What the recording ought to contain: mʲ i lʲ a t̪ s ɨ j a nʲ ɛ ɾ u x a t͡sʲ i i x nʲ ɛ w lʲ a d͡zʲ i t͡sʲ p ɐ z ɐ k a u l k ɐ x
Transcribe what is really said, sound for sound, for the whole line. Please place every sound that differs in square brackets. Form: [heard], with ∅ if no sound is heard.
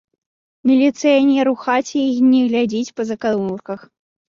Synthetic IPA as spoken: mʲ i lʲ [i] t̪ s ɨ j a nʲ ɛ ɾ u x a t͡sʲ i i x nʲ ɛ [ɣ] lʲ a d͡zʲ i t͡sʲ p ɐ z ɐ k a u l k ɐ x